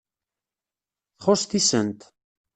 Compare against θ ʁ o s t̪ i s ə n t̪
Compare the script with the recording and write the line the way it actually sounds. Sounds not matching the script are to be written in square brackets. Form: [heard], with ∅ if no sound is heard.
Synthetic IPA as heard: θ [χ] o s t̪ i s ə n t̪

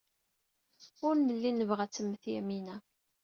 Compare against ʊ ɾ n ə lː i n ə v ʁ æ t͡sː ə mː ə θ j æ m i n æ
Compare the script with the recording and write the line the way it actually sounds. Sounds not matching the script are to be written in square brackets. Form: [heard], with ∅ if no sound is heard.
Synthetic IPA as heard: ʊ ɾ n ə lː i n ə v ʁ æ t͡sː ə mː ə θ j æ m i n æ

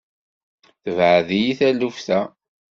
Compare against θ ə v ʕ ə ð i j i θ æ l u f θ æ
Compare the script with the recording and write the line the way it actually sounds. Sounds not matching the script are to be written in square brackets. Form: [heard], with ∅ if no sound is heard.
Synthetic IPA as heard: θ ə v ʕ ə ð i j i θ æ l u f θ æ

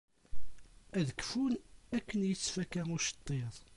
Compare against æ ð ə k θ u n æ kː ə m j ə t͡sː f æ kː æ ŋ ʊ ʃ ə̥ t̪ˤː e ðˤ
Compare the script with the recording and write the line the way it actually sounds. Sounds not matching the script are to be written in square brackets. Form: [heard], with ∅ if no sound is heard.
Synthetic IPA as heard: æ ð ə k [f] u n æ kː ə [n] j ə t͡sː f æ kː æ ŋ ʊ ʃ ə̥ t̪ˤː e ðˤ

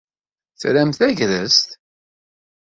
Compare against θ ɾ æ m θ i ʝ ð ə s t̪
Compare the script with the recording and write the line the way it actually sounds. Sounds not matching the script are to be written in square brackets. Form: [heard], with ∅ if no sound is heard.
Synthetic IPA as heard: θ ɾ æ m θ [æ] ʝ ð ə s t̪

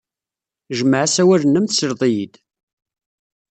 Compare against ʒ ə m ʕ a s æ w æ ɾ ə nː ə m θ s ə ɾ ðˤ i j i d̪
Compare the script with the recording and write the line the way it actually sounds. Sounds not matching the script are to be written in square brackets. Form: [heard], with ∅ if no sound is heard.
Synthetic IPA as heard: ʒ ə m ʕ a s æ w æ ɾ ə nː ə m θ s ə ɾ ðˤ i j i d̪

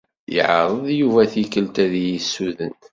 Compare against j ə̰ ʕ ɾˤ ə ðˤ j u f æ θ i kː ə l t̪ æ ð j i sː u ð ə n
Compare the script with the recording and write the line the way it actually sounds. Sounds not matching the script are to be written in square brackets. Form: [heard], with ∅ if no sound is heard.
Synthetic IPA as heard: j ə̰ ʕ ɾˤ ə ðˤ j u [v] æ θ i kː ə l t̪ æ ð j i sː u ð ə n

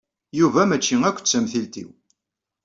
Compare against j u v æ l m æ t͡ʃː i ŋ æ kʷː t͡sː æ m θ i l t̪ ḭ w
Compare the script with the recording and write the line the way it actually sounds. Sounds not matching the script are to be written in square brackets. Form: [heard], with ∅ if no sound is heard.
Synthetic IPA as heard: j u v æ [∅] m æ t͡ʃː i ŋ æ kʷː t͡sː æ m θ i l t̪ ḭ w

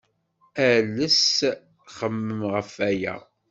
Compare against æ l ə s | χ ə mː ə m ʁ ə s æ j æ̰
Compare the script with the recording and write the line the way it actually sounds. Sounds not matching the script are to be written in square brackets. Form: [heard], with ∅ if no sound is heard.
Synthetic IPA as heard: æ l ə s | χ ə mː ə m ʁ ə [f] æ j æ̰

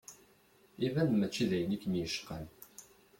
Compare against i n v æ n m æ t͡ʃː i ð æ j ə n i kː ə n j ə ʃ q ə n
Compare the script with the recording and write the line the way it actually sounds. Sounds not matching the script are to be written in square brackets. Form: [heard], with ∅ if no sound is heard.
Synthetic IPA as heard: i [∅] v æ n m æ t͡ʃː i ð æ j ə n i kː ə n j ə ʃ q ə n

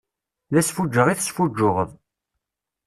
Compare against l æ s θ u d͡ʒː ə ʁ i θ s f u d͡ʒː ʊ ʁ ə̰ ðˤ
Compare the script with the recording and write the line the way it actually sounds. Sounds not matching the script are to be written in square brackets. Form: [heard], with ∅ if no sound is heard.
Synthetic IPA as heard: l æ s [f] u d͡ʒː ə ʁ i θ s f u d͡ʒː ʊ ʁ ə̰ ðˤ

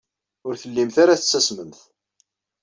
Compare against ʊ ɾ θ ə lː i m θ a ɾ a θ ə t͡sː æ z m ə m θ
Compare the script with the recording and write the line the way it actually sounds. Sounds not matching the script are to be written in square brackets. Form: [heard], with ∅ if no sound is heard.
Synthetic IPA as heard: ʊ ɾ θ ə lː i m θ a ɾ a θ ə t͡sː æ [s] m ə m θ

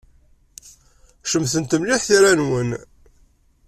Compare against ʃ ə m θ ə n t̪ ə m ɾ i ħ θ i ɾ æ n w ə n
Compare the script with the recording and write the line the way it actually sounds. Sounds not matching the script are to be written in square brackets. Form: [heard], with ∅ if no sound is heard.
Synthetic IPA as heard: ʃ ə m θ ə n t̪ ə m [l] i ħ θ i ɾ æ n w ə n

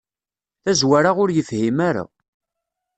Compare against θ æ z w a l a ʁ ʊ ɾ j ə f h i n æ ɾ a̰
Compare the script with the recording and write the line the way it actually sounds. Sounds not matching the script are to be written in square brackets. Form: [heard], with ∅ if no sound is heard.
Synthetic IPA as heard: θ æ z w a [ɾ] a ʁ ʊ ɾ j ə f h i [m] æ ɾ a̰

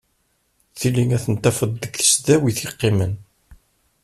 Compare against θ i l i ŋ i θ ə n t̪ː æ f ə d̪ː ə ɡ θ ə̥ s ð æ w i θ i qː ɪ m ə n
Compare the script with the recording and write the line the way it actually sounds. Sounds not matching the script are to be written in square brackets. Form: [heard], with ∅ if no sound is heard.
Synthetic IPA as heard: θ i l i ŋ [æ] θ ə n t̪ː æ f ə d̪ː ə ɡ θ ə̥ s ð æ w i θ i qː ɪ m ə n

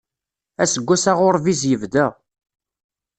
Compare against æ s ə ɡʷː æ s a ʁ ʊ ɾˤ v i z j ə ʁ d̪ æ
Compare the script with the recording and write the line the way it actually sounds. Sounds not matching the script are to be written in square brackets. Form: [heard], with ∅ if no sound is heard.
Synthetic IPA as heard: æ s ə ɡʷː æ s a ʁ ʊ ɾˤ v i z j ə [v] d̪ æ

